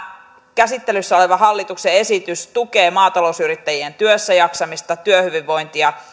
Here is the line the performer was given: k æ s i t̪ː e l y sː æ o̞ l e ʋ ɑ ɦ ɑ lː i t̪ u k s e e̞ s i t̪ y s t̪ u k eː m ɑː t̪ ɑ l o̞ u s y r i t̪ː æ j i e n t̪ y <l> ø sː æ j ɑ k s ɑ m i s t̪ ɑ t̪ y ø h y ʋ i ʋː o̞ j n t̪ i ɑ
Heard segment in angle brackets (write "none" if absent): none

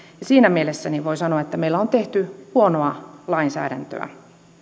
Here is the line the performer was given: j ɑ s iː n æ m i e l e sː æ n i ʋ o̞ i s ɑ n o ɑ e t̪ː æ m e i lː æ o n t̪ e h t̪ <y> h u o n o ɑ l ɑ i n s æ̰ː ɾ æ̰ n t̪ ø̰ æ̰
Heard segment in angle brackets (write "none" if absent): y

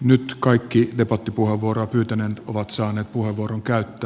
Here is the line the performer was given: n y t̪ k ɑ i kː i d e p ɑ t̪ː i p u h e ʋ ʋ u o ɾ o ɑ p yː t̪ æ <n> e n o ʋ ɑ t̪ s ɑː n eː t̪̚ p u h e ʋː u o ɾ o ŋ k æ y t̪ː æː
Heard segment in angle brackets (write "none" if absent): n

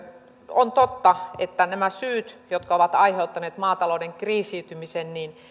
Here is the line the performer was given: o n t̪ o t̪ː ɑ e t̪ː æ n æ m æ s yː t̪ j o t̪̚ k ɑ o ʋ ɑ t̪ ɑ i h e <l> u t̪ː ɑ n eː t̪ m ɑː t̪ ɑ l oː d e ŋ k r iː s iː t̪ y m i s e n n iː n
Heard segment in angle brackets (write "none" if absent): none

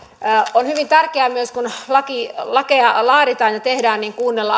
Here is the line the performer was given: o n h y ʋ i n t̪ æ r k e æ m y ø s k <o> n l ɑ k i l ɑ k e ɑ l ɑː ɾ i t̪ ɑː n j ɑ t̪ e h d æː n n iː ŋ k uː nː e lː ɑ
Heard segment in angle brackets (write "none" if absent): u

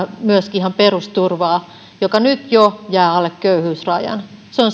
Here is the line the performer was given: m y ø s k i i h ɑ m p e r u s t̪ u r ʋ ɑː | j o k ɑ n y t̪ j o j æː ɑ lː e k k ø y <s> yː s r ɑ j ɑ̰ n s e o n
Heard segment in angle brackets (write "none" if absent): h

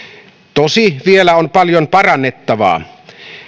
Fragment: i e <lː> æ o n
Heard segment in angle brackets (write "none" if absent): l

